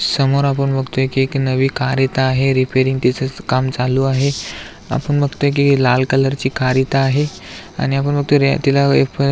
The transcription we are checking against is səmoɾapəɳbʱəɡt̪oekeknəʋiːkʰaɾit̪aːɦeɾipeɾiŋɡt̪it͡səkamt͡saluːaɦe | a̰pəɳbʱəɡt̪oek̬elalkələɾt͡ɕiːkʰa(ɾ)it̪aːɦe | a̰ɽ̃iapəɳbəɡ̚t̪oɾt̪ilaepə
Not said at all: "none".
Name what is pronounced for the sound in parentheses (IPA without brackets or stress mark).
ɾ